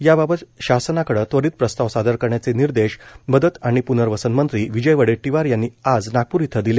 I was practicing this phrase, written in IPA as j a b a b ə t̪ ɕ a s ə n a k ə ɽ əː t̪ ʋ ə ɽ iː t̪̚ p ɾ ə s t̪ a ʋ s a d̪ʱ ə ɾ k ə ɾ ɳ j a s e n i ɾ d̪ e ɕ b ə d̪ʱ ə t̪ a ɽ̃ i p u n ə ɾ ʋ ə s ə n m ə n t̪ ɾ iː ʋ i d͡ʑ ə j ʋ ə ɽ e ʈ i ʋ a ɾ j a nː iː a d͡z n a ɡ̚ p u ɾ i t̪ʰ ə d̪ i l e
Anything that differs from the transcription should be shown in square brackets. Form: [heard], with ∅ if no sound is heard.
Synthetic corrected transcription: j a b a b ə t̪ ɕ a s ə n a k ə ɽ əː t̪ ʋ ə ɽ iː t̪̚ p ɾ ə s t̪ a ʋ s a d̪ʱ ə ɾ k ə ɾ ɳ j a [t͡s] e n i ɾ d̪ e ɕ b ə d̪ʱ ə t̪ a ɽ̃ i p u n ə ɾ ʋ ə s ə n m ə n t̪ ɾ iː ʋ i d͡ʑ ə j ʋ ə ɽ e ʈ i ʋ a ɾ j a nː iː a d͡z n a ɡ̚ p u ɾ i t̪ʰ ə d̪ i l e